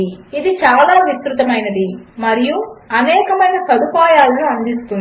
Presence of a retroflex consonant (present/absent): absent